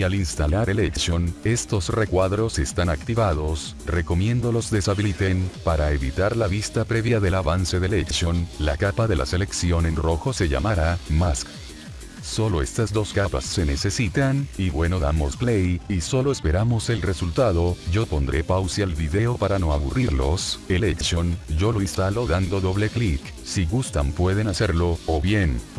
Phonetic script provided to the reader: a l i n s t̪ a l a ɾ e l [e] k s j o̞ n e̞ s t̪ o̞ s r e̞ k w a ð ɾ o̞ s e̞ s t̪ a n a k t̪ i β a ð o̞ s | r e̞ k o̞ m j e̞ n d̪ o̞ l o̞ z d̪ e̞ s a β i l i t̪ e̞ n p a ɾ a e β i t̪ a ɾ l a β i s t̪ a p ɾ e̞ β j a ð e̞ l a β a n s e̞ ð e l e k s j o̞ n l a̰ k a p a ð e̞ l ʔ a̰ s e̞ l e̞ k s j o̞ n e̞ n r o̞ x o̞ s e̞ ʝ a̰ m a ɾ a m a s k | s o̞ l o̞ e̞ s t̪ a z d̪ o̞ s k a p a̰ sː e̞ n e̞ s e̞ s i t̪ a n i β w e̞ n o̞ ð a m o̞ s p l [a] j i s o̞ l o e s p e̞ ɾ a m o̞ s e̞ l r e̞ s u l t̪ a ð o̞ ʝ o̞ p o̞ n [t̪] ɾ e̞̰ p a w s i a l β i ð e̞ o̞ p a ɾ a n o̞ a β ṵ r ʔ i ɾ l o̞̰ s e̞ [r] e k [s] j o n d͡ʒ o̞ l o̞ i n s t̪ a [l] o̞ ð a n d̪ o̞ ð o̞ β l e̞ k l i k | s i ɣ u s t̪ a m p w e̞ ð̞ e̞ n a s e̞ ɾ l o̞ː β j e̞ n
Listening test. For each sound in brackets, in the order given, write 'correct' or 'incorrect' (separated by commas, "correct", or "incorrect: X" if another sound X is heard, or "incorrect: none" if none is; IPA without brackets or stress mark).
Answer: correct, incorrect: e, incorrect: d̪, incorrect: l, correct, correct